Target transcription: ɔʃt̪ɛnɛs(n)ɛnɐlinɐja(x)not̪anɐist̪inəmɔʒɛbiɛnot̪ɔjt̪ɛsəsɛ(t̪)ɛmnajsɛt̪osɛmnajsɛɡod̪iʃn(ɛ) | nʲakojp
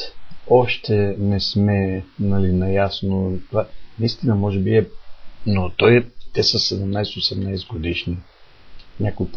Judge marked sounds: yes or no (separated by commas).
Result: no, no, no, no